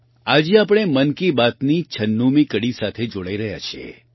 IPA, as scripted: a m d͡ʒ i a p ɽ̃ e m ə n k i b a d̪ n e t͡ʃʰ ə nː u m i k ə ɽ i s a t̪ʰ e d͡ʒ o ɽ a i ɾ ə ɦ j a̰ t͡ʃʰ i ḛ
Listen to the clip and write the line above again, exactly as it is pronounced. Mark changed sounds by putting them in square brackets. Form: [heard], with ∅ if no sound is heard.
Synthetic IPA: a [∅] d͡ʒ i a p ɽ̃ e m ə n k i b a [t̪] n [i] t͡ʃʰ ə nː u m i k ə ɽ i s a t̪ʰ e d͡ʒ o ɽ a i ɾ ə ɦ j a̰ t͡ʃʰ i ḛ